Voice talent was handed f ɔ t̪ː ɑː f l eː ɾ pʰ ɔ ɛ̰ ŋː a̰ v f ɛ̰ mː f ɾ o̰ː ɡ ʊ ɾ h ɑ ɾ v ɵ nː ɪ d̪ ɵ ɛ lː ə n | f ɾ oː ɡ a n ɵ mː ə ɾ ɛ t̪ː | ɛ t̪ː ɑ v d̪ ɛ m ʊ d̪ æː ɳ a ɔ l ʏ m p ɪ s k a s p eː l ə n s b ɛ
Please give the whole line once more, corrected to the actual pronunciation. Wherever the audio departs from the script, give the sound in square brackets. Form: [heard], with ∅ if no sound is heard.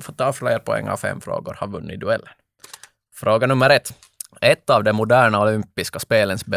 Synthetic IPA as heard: f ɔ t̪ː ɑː f l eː ɾ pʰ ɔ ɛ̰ ŋː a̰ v f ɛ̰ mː f ɾ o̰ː ɡ ʊ ɾ h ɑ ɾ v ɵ nː ɪ d̪ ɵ ɛ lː ə n | f ɾ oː ɡ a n ɵ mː ə ɾ ɛ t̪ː | ɛ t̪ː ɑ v d̪ ɛ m ʊ d̪ æː ɳ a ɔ l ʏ m p ɪ s k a s p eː l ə n s b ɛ